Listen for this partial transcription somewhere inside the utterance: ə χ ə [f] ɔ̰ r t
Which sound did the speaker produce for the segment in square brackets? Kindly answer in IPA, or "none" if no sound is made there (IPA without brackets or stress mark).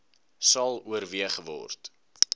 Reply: v